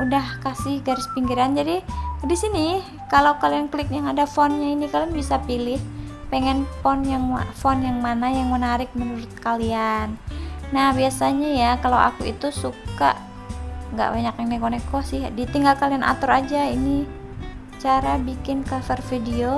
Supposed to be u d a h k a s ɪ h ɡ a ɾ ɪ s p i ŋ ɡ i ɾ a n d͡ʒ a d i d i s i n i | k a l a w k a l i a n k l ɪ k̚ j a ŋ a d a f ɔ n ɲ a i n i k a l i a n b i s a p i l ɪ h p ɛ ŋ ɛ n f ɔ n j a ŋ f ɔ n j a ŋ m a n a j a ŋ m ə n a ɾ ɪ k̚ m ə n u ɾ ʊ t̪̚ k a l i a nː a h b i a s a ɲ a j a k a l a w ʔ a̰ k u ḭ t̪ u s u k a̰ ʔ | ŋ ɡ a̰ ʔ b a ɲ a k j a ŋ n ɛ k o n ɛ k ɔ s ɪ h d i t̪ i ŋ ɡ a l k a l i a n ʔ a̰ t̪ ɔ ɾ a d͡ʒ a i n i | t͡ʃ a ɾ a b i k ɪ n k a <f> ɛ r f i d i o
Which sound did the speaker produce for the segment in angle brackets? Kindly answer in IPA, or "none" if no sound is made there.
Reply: f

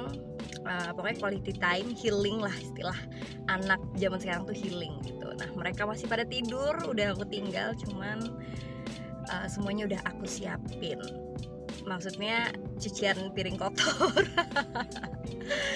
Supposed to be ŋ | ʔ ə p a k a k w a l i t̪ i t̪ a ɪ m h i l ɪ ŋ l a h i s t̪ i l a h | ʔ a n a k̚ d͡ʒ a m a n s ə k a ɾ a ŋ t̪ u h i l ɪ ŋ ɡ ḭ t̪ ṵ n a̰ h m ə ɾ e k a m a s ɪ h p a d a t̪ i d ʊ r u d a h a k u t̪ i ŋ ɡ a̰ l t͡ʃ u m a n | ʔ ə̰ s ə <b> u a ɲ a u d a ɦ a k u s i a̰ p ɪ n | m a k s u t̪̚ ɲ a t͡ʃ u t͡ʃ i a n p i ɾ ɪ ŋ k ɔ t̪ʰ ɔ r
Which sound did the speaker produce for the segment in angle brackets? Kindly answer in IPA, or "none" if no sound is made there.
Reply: m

